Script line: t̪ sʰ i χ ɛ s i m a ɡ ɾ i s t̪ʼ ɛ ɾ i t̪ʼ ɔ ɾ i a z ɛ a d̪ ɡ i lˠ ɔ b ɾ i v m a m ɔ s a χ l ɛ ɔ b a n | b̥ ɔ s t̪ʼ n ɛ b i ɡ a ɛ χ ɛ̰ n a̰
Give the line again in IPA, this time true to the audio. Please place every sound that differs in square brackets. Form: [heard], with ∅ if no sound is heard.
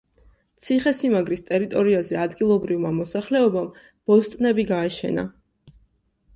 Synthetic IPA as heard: t̪ sʰ i χ ɛ s i m a ɡ ɾ i s t̪ʼ ɛ ɾ i t̪ʼ ɔ ɾ i a z ɛ a d̪ ɡ i lˠ ɔ b ɾ i v m a m ɔ s a χ l ɛ ɔ b a [m] | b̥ ɔ s t̪ʼ n ɛ b i ɡ a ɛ [ʃ] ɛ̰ n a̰

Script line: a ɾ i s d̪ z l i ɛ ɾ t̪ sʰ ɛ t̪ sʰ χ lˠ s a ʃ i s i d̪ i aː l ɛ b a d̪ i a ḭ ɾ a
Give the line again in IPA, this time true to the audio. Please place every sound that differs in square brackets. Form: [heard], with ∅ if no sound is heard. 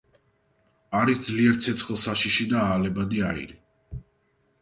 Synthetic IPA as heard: a ɾ i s d̪ z l i ɛ ɾ t̪ sʰ ɛ t̪ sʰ χ lˠ s a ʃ i [ʃ] i d̪ [a] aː l ɛ b a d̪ i a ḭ ɾ [i]

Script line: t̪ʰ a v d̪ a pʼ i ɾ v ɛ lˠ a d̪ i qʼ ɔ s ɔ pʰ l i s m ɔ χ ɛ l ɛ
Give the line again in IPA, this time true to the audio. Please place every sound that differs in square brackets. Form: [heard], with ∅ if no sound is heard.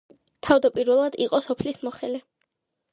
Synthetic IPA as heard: t̪ʰ a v d̪ a pʼ i ɾ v ɛ lˠ a d̪ i qʼ ɔ s ɔ pʰ l i s m ɔ χ ɛ l ɛ

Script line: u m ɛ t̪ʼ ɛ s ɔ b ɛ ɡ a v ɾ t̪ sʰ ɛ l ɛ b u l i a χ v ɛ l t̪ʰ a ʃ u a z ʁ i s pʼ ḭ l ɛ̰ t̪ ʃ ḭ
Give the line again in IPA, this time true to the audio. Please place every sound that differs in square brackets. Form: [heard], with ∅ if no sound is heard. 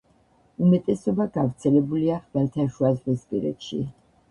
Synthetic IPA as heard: u m ɛ t̪ʼ ɛ s ɔ b [a] ɡ a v ɾ t̪ sʰ ɛ l ɛ b u l i a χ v ɛ l t̪ʰ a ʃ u a z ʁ i s pʼ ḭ [ɾ] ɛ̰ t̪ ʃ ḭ

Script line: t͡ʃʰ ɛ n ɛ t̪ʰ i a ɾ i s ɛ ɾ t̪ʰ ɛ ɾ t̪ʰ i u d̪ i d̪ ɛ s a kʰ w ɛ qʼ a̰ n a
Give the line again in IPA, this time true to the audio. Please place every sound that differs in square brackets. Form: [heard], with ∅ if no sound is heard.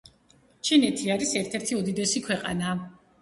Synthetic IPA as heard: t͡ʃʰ [i] n ɛ t̪ʰ i a ɾ i s ɛ ɾ t̪ʰ ɛ ɾ t̪ʰ i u d̪ i d̪ ɛ s [i] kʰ w ɛ qʼ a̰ n a

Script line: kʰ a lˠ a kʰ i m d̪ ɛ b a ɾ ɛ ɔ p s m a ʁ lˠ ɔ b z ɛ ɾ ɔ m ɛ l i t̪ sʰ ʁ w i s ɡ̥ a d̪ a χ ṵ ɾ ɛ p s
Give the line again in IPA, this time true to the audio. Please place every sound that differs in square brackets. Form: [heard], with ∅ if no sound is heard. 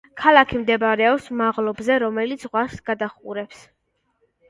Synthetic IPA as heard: kʰ a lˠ a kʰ i m d̪ ɛ b a ɾ ɛ ɔ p s m a ʁ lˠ ɔ b z ɛ ɾ ɔ m ɛ l i t̪ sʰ ʁ w [a] s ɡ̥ a d̪ a χ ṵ ɾ ɛ p s

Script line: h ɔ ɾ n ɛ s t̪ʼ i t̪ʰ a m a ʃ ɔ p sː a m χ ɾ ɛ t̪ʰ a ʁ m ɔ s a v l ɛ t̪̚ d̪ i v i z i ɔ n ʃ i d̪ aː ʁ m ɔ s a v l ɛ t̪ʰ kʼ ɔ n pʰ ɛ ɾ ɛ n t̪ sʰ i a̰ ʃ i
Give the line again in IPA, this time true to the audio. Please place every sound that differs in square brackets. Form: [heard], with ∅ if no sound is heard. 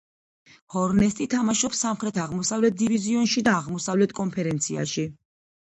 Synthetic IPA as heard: h ɔ ɾ n ɛ s t̪ʼ i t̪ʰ a m a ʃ ɔ p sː a m χ ɾ ɛ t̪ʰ a ʁ m ɔ s a v l ɛ t̪̚ d̪ i v i z i ɔ n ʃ i d̪ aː ʁ m ɔ s a v l ɛ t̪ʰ kʼ ɔ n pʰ ɛ ɾ ɛ n t̪ sʰ i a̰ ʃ i

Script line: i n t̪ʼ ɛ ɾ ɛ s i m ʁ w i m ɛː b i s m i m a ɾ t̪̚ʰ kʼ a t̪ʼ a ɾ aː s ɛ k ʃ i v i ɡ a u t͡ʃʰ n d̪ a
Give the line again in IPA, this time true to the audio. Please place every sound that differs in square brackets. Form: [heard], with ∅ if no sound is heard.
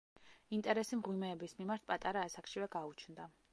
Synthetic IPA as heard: i n t̪ʼ ɛ ɾ ɛ s i m ʁ w i m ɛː b i s m i m a ɾ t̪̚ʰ [pʼ] a t̪ʼ a ɾ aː s [a] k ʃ i v [ɛ] ɡ a u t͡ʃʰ n d̪ a

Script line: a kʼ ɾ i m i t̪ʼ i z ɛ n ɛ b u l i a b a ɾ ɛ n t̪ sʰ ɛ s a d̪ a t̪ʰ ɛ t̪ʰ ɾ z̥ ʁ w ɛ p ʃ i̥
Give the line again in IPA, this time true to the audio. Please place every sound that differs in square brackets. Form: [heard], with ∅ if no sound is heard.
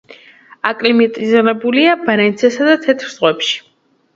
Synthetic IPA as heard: a kʼ [l] i m i t̪ʼ i z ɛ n ɛ b u l i a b a ɾ ɛ n t̪ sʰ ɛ s a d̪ a t̪ʰ ɛ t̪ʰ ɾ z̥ ʁ w ɛ p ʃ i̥

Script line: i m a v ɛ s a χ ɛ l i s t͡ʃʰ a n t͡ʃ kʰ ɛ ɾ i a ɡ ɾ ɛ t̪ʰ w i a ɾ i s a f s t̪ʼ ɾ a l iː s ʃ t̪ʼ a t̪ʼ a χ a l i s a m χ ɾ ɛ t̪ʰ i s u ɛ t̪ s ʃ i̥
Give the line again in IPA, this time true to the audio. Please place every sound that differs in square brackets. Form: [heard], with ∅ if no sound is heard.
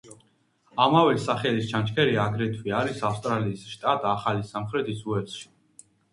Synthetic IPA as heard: [a] m a v ɛ s a χ ɛ l i s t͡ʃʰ a n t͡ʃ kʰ ɛ ɾ i a ɡ ɾ ɛ t̪ʰ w i a ɾ i s a f s t̪ʼ ɾ a l iː s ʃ t̪ʼ a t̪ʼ a χ a l i s a m χ ɾ ɛ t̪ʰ i s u ɛ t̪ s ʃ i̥

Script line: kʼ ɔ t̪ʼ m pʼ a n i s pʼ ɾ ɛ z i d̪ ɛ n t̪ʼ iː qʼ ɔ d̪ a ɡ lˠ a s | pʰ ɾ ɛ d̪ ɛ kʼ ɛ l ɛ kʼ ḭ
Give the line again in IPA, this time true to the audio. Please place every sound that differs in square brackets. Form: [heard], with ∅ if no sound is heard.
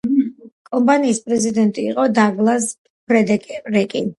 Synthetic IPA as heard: kʼ ɔ [∅] m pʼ a n [iː] s pʼ ɾ ɛ z i d̪ ɛ n t̪ʼ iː qʼ ɔ d̪ a ɡ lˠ a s | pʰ ɾ ɛ d̪ ɛ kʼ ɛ [ɾ] ɛ kʼ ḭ

